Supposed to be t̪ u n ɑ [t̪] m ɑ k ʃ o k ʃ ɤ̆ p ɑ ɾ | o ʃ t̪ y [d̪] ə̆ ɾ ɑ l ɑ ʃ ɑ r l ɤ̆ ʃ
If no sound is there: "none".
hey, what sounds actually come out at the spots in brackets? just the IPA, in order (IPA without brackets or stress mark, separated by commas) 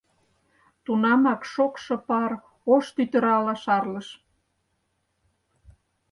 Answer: none, t̪